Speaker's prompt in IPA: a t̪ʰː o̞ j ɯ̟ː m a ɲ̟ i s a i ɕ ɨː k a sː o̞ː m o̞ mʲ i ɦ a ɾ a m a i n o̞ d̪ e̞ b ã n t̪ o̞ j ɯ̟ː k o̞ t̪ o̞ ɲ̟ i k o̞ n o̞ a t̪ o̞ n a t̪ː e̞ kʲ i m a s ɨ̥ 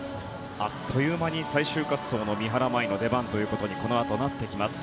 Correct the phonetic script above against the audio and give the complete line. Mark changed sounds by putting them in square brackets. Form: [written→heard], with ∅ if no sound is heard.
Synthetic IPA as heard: a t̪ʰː o̞ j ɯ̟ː m a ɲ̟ i s a i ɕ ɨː k a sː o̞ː [m→n] o̞ mʲ i ɦ a ɾ a m a i n o̞ d̪ e̞ b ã n t̪ o̞ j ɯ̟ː k o̞ t̪ o̞ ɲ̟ i k o̞ n o̞ a t̪ o̞ n a t̪ː e̞ kʲ i m a s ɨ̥